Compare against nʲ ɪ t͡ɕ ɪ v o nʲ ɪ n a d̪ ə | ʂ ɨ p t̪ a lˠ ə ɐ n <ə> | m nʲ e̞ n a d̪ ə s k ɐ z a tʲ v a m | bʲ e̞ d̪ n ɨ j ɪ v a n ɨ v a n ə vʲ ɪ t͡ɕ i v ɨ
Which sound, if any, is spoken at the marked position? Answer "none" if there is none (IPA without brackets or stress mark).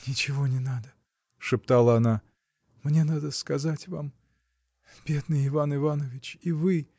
a